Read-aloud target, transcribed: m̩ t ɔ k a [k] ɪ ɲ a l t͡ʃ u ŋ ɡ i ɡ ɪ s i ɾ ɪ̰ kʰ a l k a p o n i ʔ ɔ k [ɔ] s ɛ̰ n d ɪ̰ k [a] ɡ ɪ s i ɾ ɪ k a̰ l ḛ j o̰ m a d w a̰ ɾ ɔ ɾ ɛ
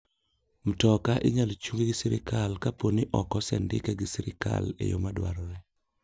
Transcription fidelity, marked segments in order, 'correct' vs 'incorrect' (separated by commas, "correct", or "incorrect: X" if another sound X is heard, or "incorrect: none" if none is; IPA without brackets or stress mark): incorrect: ʔ, correct, incorrect: ɛ